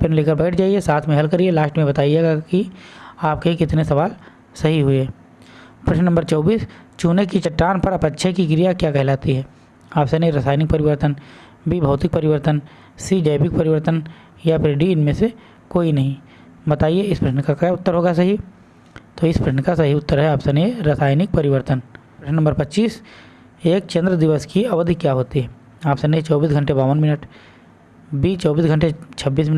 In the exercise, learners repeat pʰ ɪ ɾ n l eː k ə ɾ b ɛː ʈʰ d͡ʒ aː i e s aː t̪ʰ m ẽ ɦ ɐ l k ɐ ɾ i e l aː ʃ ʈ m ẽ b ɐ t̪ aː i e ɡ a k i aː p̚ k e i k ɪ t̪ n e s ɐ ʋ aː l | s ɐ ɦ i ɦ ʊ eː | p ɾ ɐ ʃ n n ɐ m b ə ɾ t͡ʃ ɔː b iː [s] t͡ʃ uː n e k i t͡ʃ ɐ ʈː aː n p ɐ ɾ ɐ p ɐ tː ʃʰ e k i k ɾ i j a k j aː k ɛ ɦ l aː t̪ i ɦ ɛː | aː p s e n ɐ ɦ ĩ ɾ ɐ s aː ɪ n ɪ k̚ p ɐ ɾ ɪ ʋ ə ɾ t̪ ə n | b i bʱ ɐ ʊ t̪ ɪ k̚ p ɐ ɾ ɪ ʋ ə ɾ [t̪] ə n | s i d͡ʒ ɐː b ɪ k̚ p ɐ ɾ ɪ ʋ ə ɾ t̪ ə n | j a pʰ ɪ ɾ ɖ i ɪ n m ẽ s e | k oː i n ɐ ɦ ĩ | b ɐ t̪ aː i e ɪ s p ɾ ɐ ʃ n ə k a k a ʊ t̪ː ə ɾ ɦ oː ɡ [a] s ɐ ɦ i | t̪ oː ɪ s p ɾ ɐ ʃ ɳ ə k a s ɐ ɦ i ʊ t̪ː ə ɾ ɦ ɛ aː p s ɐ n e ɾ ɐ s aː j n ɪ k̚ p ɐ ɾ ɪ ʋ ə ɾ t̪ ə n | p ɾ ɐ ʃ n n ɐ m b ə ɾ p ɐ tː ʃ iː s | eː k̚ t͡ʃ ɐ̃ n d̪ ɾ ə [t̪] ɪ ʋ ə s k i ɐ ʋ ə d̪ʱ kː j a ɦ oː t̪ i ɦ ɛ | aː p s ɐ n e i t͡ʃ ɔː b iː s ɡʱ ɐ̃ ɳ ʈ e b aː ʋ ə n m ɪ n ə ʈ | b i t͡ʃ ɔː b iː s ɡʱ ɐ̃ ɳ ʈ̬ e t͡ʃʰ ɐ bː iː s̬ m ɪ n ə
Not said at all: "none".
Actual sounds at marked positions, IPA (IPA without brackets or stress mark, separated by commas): s, t̪, a, d̪